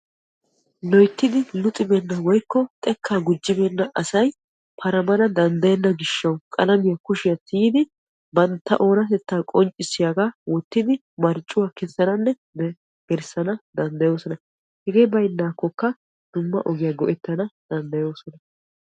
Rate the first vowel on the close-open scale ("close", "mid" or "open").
mid